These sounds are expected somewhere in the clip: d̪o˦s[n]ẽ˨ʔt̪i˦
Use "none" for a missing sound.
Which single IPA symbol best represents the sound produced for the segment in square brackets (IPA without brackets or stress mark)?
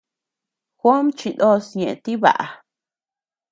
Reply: ɲ